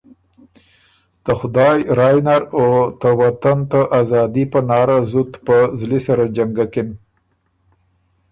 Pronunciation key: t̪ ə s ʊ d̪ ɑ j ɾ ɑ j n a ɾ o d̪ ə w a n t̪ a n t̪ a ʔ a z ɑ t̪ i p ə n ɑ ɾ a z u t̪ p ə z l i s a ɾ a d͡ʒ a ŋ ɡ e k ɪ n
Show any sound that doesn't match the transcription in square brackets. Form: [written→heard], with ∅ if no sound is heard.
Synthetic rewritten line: t̪ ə [s→x] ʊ d̪ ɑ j ɾ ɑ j n a ɾ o [d̪→t̪] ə w a [n→∅] t̪ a n t̪ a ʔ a z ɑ [t̪→d̪] i p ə n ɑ ɾ a z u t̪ p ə z l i s a ɾ a d͡ʒ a ŋ ɡ [e→a] k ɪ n